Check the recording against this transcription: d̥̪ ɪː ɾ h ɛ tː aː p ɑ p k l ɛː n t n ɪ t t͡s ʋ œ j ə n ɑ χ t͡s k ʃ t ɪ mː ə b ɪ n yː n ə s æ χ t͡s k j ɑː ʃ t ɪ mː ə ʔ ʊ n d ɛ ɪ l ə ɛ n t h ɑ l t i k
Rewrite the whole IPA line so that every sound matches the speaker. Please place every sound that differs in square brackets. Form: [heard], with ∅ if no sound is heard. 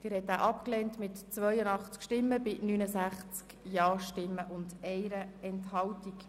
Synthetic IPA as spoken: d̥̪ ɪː ɾ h ɛ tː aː [ʔ] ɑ p k l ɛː n t [m] ɪ t t͡s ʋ œ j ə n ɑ χ t͡s k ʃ t ɪ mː ə b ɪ n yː n ə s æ χ t͡s k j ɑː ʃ t ɪ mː ə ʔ ʊ n d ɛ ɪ [ɾ] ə ɛ n t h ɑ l t i k